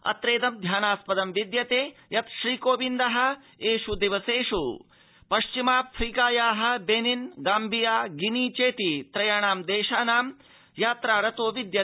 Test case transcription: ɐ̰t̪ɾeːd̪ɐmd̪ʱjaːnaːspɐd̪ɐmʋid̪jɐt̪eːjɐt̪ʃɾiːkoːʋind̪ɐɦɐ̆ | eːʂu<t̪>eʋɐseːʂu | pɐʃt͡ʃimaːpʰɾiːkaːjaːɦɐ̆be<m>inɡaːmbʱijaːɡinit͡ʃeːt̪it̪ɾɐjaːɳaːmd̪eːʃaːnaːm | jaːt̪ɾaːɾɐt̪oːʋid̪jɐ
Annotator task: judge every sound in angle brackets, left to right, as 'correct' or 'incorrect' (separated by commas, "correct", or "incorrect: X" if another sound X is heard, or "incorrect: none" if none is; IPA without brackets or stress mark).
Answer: incorrect: d̪, incorrect: n